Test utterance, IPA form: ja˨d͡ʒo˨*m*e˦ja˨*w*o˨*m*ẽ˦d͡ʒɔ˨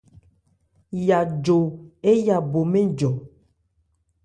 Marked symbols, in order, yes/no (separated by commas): no, no, yes